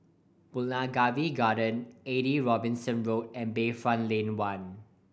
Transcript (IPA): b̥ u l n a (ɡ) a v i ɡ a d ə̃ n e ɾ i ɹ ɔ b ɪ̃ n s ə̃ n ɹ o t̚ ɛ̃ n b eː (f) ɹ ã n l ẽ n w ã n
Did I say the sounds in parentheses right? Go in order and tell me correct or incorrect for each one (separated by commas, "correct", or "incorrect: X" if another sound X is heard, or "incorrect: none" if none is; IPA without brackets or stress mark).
correct, correct